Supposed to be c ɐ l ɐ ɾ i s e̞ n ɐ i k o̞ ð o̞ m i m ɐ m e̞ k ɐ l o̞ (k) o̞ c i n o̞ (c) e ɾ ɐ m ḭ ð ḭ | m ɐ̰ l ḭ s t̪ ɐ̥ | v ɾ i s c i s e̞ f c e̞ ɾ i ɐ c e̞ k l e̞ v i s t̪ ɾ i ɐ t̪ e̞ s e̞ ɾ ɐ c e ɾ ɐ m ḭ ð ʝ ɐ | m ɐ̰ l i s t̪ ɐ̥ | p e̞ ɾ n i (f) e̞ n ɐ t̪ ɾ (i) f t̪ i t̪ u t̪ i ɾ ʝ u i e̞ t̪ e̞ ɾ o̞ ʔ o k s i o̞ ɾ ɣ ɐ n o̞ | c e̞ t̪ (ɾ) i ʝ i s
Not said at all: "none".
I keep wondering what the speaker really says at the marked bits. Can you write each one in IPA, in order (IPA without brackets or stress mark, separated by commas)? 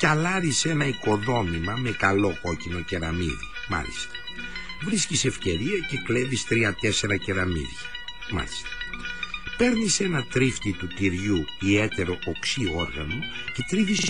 k, c, s, i, ɾ